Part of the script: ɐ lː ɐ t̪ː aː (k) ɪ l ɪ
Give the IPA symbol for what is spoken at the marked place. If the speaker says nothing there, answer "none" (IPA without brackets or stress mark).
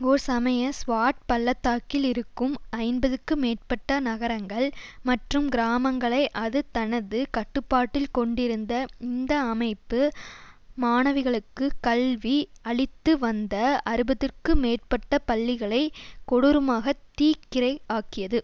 k